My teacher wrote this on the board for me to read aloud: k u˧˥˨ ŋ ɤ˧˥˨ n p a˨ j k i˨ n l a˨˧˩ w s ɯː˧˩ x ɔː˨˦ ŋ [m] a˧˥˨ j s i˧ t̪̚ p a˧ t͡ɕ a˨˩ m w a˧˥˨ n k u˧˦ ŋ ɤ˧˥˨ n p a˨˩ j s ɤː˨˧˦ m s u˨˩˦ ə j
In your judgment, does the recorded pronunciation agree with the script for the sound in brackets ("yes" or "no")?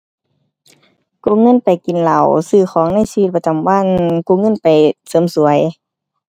no